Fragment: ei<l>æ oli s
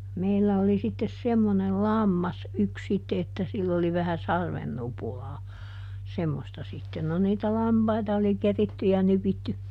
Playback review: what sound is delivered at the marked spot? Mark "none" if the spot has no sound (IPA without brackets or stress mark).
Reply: lː